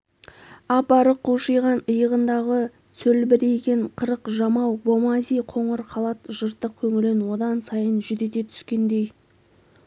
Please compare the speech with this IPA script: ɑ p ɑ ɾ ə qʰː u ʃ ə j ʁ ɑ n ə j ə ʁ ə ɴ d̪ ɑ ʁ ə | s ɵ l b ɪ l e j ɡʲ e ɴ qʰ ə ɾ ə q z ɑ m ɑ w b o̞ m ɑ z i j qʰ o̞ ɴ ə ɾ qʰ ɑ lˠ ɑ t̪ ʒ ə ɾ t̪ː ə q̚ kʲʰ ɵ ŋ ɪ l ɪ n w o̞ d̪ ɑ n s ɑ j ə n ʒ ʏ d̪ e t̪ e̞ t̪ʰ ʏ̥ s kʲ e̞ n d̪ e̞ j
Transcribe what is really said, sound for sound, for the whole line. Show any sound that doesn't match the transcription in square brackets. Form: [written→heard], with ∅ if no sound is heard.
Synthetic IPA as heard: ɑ p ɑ ɾ ə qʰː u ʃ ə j ʁ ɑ n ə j ə ʁ ə [ɴ→n] d̪ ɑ ʁ ə | s ɵ l b ɪ [l→ɾ] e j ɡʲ e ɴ qʰ ə ɾ ə q [z→ʒ] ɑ m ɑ w b o̞ m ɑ z i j qʰ o̞ ɴ ə ɾ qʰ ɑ lˠ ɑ t̪ ʒ ə ɾ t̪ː ə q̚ kʲʰ ɵ ŋ ɪ l ɪ n w o̞ d̪ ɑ n s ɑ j ə n ʒ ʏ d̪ e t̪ e̞ t̪ʰ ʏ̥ s kʲ e̞ n d̪ e̞ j